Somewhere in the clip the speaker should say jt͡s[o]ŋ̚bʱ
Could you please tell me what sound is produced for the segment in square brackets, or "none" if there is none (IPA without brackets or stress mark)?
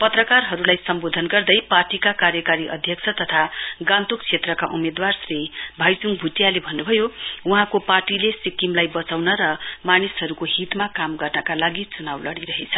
u